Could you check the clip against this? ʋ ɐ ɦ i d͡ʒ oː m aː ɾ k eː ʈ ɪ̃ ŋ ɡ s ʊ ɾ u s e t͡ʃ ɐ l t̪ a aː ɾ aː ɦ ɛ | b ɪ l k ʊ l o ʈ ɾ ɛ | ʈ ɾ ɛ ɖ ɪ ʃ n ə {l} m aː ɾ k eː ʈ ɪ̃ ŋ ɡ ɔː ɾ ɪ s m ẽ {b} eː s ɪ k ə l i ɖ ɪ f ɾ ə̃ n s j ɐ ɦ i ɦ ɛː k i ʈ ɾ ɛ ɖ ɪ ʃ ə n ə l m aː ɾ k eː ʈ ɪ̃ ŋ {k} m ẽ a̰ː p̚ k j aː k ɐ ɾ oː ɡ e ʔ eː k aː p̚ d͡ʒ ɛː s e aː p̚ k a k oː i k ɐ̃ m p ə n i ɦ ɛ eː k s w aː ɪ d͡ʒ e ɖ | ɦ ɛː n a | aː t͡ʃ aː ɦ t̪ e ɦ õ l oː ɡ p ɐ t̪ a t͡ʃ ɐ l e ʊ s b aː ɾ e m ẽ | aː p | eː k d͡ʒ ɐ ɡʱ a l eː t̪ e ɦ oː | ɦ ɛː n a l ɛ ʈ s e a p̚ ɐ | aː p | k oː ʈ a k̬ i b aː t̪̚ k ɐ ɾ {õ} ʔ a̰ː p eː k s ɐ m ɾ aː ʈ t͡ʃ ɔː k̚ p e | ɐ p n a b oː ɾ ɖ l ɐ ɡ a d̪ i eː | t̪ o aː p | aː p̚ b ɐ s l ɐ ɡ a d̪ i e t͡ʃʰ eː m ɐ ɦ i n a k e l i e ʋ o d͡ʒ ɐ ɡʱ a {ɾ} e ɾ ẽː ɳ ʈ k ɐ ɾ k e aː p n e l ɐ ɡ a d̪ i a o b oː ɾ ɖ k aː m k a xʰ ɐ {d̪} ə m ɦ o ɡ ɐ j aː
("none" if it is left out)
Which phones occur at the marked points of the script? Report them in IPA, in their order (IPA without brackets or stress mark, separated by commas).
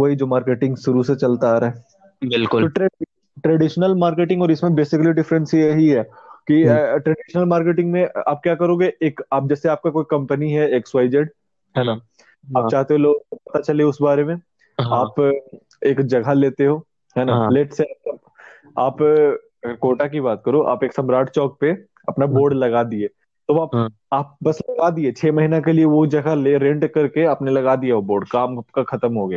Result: l, b, ɡ, o, l, t̪